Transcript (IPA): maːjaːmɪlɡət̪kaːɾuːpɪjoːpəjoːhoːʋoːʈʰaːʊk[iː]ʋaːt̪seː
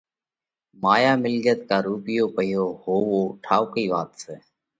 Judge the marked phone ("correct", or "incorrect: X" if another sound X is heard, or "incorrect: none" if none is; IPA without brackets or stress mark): correct